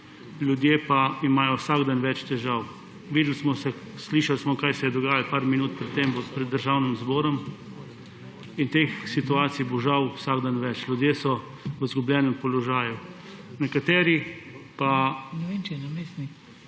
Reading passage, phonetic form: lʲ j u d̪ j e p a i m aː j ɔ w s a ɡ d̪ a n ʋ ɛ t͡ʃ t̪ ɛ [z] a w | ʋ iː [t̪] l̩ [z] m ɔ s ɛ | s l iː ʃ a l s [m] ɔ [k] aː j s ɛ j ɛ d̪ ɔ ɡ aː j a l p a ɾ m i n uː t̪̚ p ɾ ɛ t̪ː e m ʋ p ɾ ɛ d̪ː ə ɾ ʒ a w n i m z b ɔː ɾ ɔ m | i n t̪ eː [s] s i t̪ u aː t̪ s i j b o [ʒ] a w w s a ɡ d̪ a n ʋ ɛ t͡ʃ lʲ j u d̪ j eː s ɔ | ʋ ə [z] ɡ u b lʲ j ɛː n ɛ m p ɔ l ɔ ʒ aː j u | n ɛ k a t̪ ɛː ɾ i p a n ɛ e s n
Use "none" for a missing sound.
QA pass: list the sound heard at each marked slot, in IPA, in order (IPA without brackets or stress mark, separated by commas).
ʒ, d̪, s, m, k, x, ʒ, z